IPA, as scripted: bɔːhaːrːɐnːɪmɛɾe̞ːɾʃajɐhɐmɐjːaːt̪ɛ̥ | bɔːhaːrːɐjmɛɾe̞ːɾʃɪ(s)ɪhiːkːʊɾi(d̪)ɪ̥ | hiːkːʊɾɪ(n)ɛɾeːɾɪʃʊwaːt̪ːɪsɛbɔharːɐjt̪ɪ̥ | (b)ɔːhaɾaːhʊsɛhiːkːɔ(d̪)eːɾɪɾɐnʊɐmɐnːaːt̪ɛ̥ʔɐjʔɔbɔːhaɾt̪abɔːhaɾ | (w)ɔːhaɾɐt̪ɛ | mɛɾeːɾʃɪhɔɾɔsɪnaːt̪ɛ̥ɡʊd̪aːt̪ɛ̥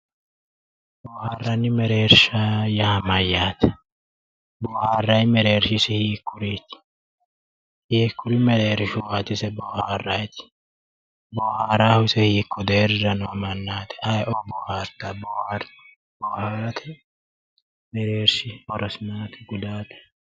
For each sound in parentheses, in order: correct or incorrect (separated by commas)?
correct, incorrect, incorrect, correct, correct, incorrect